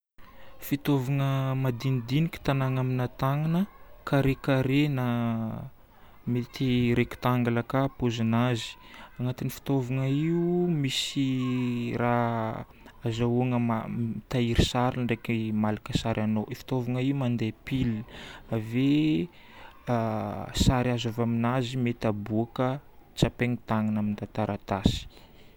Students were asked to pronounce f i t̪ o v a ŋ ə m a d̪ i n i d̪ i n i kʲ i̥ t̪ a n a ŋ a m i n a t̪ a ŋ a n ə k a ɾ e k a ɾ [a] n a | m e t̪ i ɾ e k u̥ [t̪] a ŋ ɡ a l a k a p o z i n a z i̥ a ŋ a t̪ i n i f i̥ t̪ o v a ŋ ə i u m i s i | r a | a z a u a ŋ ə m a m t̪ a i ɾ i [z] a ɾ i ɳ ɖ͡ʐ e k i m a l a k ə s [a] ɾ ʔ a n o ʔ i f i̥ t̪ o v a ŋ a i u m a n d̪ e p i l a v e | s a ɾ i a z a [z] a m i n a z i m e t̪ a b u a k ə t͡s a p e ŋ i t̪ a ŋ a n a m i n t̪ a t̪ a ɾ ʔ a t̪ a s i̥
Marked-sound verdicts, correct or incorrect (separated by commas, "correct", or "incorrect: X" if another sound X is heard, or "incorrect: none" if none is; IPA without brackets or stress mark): incorrect: e, correct, incorrect: s, correct, incorrect: v